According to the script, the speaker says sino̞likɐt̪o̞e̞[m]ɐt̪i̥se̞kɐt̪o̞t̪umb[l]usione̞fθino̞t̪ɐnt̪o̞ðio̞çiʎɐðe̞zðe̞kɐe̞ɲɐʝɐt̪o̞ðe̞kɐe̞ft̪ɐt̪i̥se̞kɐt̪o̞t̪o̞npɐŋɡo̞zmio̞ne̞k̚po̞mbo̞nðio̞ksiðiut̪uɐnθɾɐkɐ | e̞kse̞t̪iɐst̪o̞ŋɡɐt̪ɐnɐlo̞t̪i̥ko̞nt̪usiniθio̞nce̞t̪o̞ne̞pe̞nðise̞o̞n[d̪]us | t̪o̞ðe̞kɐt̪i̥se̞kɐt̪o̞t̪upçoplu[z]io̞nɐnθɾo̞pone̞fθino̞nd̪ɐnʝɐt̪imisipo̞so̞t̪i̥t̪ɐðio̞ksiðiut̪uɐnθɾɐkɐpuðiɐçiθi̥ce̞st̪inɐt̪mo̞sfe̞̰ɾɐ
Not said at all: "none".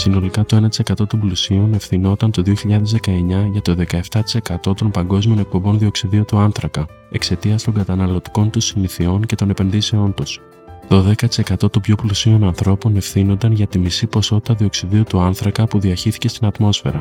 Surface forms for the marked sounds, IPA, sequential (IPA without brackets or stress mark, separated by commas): n, l, t̪, s